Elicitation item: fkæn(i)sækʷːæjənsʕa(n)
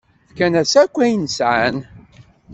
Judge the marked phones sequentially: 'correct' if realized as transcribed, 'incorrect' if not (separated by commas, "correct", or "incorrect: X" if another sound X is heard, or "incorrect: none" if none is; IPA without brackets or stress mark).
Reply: incorrect: æ, correct